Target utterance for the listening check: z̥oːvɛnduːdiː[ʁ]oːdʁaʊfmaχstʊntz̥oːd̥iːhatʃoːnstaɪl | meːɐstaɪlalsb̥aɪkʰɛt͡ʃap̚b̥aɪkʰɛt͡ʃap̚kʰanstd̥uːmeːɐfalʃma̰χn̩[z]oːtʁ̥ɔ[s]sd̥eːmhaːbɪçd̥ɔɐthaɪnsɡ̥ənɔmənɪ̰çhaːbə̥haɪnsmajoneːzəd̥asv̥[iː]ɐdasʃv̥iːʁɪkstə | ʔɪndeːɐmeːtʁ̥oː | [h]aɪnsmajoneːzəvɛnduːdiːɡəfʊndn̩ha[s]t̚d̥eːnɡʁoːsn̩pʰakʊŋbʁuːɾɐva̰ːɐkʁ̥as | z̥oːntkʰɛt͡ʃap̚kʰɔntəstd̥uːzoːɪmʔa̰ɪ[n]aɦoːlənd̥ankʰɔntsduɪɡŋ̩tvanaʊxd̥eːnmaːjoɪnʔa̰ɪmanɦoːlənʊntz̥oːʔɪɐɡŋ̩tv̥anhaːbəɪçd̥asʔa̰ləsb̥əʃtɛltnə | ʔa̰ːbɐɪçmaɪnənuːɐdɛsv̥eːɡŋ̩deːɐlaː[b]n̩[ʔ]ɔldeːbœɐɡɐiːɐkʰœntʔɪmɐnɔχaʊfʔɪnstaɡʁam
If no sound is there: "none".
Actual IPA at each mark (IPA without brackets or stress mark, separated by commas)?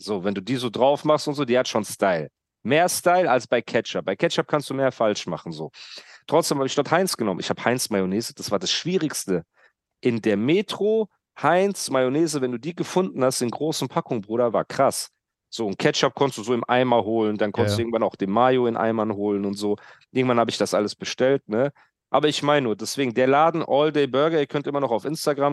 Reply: z, z, t͡s, aː, h, s, m, d, ʔ